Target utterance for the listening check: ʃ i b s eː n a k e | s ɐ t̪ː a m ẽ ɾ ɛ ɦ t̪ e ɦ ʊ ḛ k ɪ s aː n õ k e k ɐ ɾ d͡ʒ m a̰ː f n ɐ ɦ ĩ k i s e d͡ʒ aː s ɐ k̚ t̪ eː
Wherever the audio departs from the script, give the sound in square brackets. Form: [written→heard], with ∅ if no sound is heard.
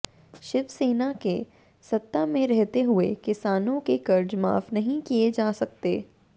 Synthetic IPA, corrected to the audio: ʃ [i→ɪ] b s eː n a k e | s ɐ t̪ː a m ẽ ɾ ɛ ɦ t̪ e ɦ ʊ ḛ k ɪ s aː n õ k e k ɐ ɾ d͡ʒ m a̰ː f n ɐ ɦ ĩ k i [s→∅] e d͡ʒ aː s ɐ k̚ t̪ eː